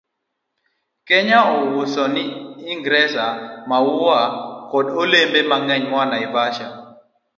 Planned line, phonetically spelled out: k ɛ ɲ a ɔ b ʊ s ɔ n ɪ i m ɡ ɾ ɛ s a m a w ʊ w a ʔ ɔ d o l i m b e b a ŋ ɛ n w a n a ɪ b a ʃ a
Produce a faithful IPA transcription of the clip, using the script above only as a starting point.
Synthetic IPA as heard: k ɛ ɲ a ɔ w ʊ s ɔ n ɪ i ŋ ɡ ɾ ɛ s a m a w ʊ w a k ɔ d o l e m b e m a ŋ ɛ ɲ w a n a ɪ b a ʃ a